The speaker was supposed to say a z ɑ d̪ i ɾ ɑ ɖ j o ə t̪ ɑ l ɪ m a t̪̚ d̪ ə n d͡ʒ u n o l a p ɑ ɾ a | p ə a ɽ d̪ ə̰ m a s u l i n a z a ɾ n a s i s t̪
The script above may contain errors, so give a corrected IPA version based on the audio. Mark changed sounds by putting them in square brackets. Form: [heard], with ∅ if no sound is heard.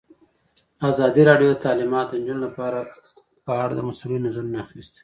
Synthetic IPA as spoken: a z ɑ d̪ i ɾ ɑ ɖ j o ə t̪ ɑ l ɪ m [ɑ] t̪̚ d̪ ə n d͡ʒ u n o l a p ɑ ɾ a | p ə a ɽ d̪ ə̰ m a s u l i n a z a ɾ n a [x] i s t̪